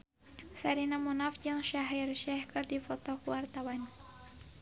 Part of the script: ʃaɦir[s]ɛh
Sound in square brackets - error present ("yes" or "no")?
yes